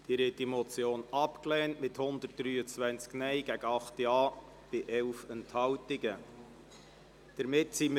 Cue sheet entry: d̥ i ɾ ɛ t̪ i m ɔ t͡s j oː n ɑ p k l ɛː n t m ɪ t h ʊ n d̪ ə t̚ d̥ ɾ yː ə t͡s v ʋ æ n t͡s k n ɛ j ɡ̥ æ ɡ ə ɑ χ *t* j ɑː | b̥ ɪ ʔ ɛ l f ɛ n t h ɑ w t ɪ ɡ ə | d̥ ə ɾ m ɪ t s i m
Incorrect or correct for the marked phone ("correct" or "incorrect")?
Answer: correct